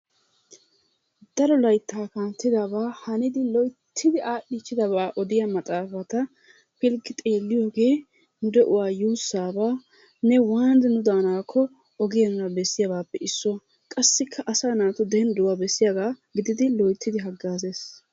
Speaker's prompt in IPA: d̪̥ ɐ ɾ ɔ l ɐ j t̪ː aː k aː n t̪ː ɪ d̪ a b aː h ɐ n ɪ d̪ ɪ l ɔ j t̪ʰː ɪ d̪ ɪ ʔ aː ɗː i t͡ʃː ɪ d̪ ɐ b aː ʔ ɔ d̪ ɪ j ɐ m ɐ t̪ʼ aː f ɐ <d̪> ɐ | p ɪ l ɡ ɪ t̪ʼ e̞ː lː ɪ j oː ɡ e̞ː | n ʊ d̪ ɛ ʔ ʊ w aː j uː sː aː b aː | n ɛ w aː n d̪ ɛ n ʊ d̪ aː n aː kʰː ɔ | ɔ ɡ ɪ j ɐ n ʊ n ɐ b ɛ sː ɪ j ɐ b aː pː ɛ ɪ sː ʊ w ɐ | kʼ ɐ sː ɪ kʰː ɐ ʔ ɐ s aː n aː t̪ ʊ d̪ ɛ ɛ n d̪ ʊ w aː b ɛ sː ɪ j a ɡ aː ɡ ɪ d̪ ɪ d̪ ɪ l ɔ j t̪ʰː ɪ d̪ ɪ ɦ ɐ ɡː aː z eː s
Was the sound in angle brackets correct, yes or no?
no